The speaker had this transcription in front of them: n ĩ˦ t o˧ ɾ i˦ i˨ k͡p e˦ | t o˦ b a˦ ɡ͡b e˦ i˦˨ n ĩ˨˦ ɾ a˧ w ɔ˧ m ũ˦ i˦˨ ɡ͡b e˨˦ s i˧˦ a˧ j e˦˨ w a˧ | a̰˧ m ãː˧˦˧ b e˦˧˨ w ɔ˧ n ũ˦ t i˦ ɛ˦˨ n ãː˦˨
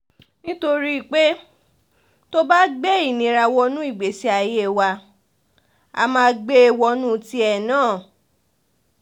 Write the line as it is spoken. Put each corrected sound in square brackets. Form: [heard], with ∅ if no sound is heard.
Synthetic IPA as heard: n ĩ˦ t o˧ ɾ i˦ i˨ k͡p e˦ | t o˦ b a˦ ɡ͡b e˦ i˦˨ n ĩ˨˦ ɾ a˧ w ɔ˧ [n] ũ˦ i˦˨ ɡ͡b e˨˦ s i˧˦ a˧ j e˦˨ w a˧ | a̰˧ m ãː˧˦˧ [ɡ͡b] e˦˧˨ w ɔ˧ n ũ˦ t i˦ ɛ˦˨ n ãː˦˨